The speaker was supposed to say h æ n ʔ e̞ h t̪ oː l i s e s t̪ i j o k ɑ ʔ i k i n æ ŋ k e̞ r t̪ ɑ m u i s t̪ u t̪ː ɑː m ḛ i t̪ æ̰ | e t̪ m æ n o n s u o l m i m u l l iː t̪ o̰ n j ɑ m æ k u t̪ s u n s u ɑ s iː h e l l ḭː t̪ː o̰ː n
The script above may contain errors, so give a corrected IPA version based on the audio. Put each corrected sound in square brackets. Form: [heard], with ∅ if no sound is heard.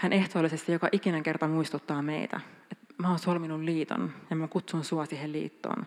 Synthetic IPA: h æ n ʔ e̞ h t̪ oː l i s e s t̪ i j o k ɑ ʔ i k i n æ ŋ k e̞ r t̪ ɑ m u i s t̪ u t̪ː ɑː m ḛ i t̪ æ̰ | e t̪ m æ [∅] o n s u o l m i [n] u l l iː t̪ o̰ n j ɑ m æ k u t̪ s u n s u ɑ s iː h e l l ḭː t̪ː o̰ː n